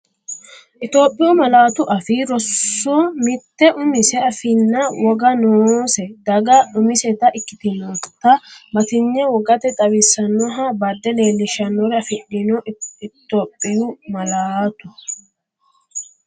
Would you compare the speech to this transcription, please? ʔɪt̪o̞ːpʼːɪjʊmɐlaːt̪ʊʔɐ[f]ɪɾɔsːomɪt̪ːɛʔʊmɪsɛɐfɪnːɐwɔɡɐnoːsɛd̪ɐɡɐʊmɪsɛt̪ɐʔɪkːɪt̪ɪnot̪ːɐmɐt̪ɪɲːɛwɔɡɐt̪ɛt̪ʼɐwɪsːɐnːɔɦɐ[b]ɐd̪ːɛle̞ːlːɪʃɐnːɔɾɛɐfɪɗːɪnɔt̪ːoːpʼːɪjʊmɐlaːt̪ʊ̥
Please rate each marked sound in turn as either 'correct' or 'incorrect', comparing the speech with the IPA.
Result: correct, correct

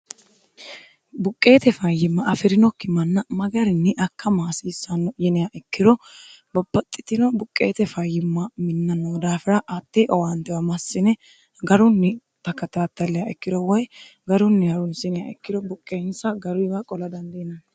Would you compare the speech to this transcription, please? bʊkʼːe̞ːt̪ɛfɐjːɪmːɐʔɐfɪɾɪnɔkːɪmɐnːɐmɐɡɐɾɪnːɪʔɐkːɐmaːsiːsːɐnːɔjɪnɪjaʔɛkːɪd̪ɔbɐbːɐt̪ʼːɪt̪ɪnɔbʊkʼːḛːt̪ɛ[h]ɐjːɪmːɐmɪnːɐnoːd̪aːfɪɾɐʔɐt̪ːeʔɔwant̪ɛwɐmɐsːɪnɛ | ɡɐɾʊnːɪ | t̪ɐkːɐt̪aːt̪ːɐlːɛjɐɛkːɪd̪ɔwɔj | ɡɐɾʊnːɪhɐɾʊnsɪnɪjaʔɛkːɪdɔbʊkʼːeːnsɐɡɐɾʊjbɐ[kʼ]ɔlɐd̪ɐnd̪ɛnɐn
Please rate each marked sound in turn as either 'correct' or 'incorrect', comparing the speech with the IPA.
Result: incorrect, correct

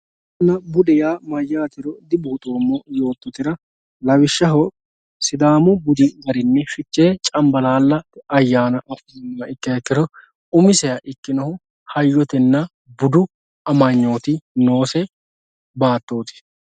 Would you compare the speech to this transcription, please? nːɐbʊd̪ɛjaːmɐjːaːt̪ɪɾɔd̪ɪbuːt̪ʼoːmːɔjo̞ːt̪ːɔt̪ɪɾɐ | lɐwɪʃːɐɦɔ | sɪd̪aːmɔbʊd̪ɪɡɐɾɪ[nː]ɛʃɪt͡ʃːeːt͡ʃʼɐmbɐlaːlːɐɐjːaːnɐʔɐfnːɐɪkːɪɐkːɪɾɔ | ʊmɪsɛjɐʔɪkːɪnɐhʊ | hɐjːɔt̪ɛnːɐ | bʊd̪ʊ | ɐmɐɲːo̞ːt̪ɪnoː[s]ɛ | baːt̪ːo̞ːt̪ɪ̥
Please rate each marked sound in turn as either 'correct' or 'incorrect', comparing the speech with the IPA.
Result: correct, correct

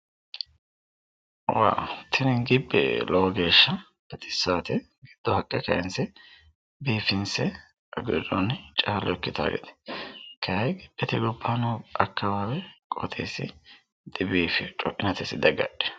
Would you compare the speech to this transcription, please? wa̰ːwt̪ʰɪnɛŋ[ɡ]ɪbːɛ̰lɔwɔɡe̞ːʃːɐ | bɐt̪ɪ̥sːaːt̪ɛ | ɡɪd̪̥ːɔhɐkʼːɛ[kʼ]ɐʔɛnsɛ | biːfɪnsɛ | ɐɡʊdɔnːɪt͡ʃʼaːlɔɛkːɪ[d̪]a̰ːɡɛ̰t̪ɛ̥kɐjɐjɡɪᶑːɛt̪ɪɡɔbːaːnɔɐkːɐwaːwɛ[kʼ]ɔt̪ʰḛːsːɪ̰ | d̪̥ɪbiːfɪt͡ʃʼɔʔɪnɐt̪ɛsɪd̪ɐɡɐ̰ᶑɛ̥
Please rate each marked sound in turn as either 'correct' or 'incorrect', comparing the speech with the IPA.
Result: correct, incorrect, incorrect, correct

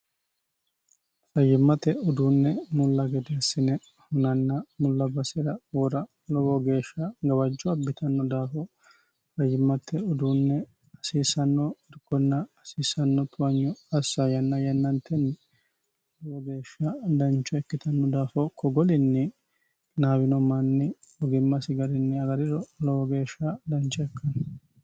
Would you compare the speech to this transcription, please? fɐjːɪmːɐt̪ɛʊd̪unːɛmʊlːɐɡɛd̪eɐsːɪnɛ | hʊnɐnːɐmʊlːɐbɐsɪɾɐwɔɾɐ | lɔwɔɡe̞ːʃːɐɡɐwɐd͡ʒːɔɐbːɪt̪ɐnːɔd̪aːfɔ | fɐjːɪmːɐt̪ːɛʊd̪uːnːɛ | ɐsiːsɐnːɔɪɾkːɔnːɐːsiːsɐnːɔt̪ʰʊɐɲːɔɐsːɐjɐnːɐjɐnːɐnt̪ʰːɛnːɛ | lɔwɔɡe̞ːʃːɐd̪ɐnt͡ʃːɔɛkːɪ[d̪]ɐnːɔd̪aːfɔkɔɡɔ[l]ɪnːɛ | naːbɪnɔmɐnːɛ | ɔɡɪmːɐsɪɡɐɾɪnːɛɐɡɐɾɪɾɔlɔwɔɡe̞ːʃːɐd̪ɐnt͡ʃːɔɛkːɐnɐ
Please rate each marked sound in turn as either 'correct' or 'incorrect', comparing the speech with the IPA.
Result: incorrect, correct

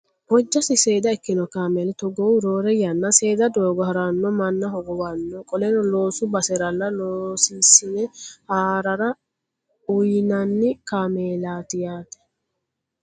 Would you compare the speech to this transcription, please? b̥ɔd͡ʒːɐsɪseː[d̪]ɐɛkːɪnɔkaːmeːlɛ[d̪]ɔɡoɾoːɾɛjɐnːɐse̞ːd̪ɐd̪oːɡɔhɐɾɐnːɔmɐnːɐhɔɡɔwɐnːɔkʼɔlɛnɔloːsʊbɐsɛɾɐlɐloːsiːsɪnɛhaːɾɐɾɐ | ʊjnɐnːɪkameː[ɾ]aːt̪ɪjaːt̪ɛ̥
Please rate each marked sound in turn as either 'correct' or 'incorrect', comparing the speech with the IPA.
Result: correct, incorrect, incorrect

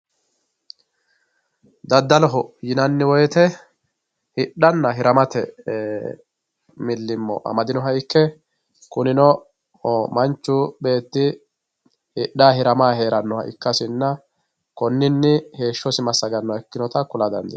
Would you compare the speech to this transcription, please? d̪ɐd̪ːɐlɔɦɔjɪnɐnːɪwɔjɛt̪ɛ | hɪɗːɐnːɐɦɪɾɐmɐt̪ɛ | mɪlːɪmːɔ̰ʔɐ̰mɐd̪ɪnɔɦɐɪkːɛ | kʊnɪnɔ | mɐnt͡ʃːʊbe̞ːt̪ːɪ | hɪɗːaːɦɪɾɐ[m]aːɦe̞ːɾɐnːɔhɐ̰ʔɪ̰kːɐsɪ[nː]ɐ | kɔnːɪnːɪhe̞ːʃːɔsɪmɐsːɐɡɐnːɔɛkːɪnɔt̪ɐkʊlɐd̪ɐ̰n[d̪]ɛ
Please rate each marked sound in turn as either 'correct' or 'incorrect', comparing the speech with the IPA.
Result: correct, correct, correct

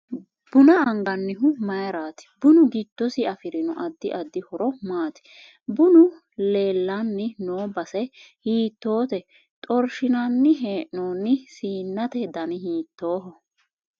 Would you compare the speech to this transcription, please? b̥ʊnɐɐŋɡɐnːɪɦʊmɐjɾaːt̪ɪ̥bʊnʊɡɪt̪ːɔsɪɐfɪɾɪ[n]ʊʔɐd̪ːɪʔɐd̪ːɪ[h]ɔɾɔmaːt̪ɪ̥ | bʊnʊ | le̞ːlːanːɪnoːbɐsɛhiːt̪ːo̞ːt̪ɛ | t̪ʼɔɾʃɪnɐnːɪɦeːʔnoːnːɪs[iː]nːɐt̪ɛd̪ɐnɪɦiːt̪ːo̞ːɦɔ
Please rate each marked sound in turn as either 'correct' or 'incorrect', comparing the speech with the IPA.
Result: correct, correct, correct

